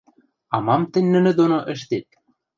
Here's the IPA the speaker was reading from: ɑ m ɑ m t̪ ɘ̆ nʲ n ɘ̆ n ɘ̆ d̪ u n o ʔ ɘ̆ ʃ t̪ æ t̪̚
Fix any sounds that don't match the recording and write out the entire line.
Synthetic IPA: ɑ m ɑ m t̪ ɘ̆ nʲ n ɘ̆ n ɘ̆ d̪ o n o ʔ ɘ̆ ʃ t̪ e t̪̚